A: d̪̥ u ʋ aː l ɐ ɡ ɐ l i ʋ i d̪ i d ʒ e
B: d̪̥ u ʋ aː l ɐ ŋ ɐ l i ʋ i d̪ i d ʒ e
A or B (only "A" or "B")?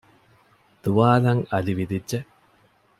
B